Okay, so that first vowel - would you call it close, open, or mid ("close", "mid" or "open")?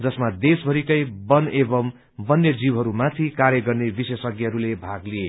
mid